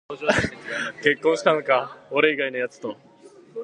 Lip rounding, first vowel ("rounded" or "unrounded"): unrounded